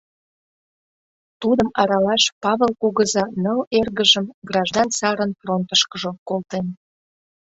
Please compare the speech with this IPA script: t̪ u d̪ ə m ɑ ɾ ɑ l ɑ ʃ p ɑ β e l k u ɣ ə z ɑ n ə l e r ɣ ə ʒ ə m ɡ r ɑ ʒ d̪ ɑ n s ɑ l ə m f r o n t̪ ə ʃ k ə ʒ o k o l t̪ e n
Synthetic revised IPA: t̪ u d̪ ə m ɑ ɾ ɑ l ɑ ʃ p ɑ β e l k u ɣ ə z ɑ n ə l e r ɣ ə ʒ ə m ɡ r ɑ ʒ d̪ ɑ n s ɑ ɾ ə n f r o n t̪ ə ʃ k ə ʒ o k o l t̪ e n